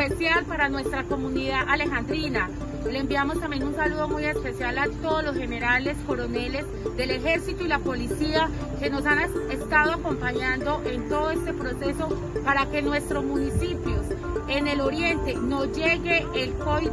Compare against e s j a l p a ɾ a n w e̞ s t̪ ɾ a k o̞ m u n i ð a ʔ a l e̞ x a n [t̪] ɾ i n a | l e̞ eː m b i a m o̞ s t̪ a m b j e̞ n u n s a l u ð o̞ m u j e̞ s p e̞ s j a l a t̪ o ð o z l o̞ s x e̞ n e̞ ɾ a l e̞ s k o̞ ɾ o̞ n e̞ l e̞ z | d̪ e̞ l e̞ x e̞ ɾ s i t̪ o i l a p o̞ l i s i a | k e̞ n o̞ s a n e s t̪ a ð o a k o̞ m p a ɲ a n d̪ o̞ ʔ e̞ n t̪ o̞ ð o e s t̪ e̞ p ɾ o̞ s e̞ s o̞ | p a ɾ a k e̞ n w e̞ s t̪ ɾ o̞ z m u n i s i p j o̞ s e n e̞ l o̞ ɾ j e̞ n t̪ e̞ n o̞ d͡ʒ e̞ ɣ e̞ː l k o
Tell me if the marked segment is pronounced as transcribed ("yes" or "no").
no